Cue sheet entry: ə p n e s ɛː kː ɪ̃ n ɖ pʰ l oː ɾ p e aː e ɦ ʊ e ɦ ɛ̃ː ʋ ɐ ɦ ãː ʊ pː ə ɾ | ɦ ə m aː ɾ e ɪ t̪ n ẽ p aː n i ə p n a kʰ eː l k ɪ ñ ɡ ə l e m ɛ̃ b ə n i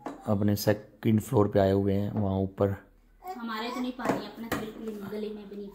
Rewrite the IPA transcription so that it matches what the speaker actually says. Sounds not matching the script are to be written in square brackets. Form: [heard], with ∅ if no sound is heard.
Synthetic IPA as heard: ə p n e s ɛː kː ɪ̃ [ɳ] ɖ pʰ l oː ɾ p e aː e ɦ ʊ e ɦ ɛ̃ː ʋ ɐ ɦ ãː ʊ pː ə ɾ | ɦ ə m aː ɾ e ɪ t̪ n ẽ p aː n i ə p n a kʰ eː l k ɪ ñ ɡ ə l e m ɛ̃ b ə n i